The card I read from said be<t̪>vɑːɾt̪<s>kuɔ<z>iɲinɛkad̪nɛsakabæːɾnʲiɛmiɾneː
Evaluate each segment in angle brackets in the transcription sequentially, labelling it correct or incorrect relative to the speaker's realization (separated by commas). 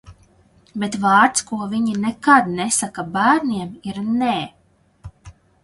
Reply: correct, correct, incorrect